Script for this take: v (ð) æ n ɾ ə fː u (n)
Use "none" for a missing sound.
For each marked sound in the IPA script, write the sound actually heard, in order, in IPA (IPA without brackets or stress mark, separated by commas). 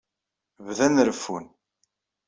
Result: ð, n